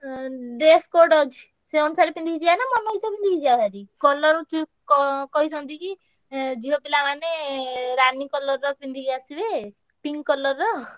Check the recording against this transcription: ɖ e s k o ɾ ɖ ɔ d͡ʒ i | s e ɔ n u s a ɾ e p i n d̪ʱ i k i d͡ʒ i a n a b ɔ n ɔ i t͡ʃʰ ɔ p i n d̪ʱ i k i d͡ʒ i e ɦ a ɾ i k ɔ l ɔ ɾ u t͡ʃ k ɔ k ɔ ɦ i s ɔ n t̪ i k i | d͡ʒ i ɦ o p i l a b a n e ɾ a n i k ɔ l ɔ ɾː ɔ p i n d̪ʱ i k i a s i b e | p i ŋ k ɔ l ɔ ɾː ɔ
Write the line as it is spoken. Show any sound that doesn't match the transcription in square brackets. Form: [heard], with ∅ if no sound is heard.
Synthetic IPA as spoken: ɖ e s k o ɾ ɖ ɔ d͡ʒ i | s e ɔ n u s a ɾ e p i n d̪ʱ i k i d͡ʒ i a n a [m] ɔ n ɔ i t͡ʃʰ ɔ p i n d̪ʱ i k i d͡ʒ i [a] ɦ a ɾ i k ɔ l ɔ ɾ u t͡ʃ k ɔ k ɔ ɦ i s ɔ n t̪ i k i | d͡ʒ i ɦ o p i l a [m] a n e ɾ a n i k ɔ l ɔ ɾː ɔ p i n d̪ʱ i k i a s i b e | p i ŋ k ɔ l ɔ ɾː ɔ